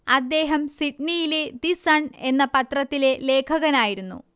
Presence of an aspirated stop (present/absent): present